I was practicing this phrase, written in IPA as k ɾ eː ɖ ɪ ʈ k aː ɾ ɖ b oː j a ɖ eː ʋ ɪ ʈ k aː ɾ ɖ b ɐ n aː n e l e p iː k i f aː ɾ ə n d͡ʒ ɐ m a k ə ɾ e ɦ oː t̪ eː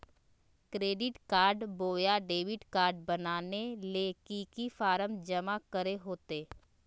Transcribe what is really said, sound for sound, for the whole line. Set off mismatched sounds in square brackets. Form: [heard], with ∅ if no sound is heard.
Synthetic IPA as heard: k ɾ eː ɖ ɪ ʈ k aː ɾ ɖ b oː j a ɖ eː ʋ ɪ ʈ k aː ɾ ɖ b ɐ n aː n e l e [k] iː k i f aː ɾ ə [m] d͡ʒ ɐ m a k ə ɾ e ɦ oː t̪ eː